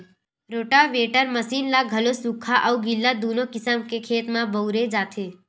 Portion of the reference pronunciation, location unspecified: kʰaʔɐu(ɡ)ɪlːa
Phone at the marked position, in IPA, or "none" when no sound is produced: ɡ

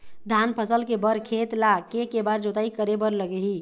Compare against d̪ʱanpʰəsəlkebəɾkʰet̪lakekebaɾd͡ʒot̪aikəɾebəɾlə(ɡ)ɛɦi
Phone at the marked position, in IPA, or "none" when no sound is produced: ɡ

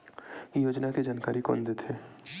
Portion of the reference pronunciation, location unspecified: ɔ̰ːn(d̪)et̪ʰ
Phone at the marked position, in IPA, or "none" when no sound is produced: d̪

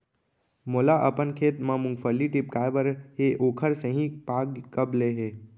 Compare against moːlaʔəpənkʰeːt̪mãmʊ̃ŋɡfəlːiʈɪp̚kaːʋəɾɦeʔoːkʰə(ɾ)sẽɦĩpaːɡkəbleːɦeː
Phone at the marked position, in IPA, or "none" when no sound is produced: ɾ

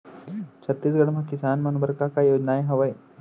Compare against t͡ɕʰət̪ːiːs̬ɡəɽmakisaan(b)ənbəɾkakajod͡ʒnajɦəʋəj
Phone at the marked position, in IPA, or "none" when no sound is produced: m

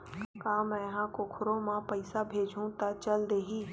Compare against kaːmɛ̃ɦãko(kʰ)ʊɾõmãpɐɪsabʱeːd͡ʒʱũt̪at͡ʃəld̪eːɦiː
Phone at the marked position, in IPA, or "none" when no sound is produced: kʰ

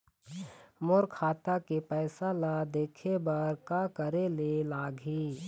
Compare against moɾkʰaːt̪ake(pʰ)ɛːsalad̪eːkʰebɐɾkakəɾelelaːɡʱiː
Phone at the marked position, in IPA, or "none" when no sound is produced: p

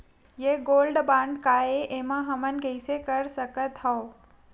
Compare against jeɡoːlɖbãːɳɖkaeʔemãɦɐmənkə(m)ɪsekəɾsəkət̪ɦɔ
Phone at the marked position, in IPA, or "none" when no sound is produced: none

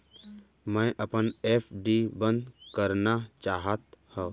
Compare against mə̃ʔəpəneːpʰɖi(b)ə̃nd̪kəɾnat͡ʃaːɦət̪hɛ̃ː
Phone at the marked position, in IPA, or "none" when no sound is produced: b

